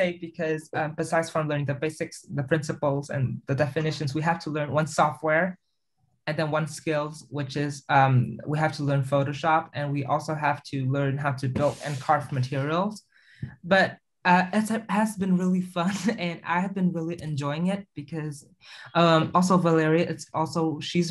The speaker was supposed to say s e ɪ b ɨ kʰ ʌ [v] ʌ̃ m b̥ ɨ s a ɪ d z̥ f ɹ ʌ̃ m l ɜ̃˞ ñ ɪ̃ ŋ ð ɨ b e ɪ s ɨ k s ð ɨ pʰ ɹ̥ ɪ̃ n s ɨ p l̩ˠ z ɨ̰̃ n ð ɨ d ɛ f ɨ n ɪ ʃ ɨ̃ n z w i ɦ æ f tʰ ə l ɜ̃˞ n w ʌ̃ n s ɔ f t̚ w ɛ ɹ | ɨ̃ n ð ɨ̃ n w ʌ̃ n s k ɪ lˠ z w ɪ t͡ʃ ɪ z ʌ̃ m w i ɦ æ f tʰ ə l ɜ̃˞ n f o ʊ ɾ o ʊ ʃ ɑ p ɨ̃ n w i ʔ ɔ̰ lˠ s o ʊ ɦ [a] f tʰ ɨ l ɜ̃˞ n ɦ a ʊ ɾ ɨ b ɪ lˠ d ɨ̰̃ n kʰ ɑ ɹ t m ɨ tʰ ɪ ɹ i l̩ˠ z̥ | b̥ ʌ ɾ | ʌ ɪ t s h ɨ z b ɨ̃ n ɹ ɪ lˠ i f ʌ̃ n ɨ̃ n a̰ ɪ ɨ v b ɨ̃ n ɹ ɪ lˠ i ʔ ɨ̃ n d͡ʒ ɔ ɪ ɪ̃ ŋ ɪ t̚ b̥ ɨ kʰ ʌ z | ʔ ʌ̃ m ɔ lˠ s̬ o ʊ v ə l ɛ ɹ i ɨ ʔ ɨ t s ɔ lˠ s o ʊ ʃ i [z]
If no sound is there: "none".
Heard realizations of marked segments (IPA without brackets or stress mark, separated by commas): z, æ, z